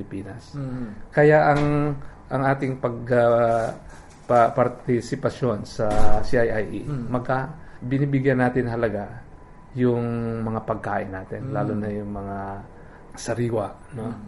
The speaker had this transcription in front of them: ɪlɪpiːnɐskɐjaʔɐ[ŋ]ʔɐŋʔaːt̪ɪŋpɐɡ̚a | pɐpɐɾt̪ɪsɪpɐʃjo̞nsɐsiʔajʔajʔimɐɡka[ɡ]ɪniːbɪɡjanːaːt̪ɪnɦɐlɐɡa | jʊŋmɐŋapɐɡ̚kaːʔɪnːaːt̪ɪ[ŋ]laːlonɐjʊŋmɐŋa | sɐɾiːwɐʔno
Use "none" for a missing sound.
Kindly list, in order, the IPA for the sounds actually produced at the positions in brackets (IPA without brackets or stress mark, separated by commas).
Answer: ŋ, b, n